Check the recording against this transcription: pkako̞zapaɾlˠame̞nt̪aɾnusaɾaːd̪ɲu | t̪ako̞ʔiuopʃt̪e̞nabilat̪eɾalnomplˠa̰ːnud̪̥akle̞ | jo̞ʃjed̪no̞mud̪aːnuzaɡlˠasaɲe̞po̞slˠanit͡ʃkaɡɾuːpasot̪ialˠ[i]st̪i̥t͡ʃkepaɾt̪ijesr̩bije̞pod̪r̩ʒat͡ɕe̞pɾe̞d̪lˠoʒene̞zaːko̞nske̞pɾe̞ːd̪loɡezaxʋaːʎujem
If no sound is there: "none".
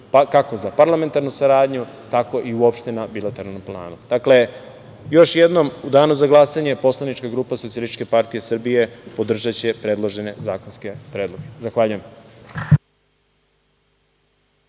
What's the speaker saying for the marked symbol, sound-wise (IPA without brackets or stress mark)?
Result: i